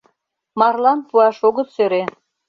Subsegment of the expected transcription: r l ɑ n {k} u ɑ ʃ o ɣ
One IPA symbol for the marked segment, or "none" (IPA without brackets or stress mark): p